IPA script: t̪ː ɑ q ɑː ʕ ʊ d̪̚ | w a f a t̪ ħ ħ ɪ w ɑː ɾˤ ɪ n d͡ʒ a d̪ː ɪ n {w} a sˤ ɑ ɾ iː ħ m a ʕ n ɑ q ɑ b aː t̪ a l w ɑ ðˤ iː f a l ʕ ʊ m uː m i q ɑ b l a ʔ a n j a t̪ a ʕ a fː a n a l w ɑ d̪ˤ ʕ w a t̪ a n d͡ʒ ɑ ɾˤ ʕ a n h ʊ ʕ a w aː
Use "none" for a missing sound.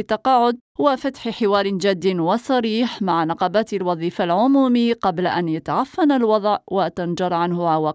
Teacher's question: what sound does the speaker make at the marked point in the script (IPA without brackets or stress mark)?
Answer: w